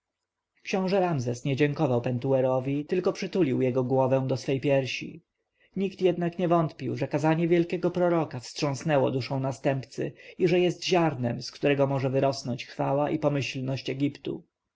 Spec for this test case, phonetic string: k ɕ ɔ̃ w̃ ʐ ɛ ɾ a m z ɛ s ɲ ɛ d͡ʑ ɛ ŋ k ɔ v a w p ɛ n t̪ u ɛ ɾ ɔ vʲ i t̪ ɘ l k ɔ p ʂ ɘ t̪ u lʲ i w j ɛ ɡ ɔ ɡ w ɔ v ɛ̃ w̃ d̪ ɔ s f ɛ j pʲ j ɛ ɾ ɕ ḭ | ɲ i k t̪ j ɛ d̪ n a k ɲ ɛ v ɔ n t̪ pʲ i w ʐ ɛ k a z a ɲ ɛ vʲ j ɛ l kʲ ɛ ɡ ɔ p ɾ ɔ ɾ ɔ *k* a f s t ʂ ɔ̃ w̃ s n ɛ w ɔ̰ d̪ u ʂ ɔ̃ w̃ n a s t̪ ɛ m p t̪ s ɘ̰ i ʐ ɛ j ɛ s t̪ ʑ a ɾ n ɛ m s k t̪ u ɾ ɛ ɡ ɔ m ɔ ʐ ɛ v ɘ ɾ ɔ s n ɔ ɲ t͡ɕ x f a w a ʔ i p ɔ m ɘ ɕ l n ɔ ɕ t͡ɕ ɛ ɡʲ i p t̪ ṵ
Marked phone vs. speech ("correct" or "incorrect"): correct